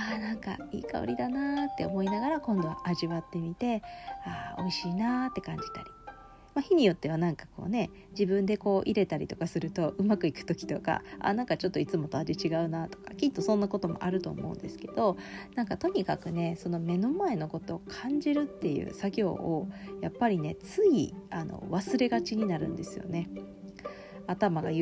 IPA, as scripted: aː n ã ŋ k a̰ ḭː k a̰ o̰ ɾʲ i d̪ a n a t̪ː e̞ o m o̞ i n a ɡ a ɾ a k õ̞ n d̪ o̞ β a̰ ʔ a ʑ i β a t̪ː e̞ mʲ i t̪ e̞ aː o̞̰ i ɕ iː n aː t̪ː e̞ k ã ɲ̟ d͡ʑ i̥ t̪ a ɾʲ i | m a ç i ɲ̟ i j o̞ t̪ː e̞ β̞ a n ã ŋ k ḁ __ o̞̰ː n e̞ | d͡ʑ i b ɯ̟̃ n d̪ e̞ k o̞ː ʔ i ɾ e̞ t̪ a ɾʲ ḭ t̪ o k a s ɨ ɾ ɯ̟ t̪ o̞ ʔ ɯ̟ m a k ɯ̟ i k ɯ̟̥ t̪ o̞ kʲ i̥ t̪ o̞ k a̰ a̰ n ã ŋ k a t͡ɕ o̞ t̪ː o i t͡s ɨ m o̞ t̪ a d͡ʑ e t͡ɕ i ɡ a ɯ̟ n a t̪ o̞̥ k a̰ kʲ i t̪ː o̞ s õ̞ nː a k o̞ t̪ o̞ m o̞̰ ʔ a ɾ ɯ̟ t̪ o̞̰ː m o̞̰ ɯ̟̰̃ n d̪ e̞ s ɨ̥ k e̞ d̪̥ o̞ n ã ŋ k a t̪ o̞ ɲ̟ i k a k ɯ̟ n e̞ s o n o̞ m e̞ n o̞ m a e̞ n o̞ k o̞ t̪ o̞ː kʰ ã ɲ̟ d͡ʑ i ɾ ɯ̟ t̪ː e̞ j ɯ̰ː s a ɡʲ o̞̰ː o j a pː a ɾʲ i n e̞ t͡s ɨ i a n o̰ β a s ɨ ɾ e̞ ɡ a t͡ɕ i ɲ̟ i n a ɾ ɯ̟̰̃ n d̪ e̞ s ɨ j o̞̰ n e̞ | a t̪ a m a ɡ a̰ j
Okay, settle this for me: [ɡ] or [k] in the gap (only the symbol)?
k